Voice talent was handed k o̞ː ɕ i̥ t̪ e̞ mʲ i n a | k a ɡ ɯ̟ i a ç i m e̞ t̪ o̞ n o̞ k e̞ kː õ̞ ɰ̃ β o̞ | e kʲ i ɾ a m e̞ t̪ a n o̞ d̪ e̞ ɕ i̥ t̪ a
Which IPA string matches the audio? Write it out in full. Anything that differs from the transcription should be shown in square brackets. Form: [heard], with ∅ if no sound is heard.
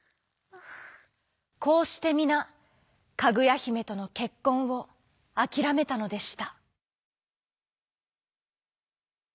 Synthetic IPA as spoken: k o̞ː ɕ i̥ t̪ e̞ mʲ i n a | k a ɡ ɯ̟ [j] a ç i m e̞ t̪ o̞ n o̞ k e̞ kː õ̞ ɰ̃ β o̞ | [a] kʲ i ɾ a m e̞ t̪ a n o̞ d̪ e̞ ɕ i̥ t̪ a